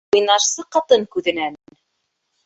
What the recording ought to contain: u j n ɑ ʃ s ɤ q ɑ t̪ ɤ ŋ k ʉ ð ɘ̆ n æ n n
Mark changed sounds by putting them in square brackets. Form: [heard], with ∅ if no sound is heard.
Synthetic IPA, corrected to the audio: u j n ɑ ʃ s ɤ q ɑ t̪ ɤ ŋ k ʉ ð ɘ̆ n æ n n